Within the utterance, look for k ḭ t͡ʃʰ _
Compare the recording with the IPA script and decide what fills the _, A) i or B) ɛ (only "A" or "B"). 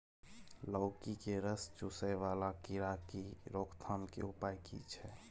B